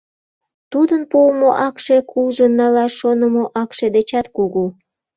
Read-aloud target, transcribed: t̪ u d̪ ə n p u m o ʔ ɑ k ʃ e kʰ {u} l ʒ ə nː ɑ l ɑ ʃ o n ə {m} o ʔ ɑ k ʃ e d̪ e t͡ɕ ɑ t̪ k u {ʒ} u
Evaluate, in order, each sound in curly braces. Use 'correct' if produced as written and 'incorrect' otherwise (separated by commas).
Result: correct, correct, incorrect